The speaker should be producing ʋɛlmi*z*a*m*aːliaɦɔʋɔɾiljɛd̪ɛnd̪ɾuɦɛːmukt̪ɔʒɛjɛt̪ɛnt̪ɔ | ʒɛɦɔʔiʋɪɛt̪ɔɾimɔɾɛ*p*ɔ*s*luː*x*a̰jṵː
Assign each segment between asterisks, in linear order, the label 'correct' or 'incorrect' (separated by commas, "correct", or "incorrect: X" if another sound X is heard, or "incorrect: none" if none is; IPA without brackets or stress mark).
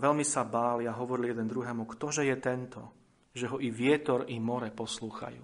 incorrect: s, incorrect: b, correct, correct, correct